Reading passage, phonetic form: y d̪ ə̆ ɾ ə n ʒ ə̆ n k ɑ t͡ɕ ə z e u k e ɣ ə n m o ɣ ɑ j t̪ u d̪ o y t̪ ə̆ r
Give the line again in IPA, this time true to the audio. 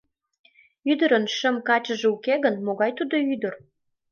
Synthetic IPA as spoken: y d̪ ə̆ ɾ ə n ʃ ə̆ m k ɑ t͡ɕ ə ʒ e u k e ɣ ə n m o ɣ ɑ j t̪ u d̪ o y d̪ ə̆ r